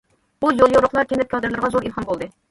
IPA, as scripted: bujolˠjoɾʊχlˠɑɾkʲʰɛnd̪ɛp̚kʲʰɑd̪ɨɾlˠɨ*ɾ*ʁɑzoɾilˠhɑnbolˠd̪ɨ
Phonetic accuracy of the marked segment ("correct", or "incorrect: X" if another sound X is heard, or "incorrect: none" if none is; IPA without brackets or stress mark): correct